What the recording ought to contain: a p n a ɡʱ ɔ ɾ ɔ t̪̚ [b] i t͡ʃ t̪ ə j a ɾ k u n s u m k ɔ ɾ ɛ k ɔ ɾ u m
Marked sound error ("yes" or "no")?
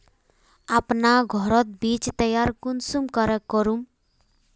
no